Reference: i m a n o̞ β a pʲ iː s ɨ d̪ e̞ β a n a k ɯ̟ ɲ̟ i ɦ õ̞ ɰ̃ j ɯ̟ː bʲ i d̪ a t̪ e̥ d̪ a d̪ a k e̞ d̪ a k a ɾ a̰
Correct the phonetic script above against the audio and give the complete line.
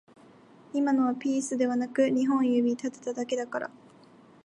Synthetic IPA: i m a n o̞ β a pʲ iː s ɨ d̪ e̞ β a n a k ɯ̟ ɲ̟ i ɦ õ̞ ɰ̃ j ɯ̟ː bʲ i t̪ a t̪ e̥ t̪ a d̪ a k e̞ d̪ a k a ɾ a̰